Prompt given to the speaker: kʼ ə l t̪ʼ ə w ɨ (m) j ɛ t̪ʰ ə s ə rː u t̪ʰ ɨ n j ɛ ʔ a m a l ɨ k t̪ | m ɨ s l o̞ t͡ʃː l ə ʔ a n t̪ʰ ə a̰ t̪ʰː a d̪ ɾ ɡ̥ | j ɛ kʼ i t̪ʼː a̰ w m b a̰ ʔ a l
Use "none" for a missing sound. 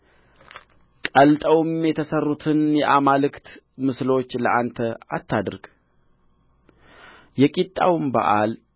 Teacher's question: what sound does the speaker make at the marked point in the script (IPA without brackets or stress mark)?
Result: m